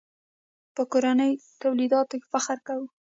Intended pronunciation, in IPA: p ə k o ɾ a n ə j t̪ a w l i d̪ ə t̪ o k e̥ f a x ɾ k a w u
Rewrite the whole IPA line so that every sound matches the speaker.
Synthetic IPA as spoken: p ə k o ɾ a n ə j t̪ a w l i d̪ ɑ t̪ o k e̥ f a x ɾ k a w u